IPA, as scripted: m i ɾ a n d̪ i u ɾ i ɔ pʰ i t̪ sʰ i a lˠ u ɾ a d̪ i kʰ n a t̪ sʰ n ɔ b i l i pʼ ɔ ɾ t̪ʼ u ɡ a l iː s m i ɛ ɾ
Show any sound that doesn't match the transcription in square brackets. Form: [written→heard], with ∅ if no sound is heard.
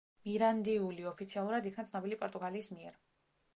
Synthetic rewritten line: m i ɾ a n d̪ i u [ɾ→l] i ɔ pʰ i t̪ sʰ i a lˠ u ɾ a d̪ i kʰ n a t̪ sʰ n ɔ b i l i pʼ ɔ ɾ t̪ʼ u ɡ a l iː s m i ɛ ɾ